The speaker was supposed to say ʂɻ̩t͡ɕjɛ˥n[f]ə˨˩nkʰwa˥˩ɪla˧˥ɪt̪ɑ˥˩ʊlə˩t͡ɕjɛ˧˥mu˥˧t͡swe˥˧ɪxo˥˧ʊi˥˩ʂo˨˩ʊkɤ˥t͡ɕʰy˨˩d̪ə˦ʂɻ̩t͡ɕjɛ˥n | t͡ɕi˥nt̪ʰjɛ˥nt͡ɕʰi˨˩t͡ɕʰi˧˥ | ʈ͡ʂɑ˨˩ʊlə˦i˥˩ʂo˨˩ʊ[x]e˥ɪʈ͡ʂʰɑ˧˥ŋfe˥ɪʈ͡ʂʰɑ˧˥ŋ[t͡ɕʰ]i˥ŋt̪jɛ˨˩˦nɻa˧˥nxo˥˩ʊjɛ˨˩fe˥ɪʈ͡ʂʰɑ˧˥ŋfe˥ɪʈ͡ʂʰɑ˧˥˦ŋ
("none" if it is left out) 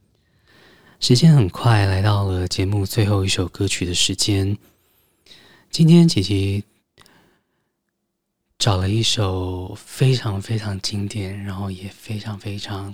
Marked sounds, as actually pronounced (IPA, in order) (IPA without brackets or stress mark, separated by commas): x, f, t͡ɕ